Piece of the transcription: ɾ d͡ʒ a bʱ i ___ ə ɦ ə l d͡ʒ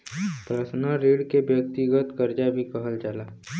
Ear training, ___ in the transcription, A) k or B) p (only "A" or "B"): A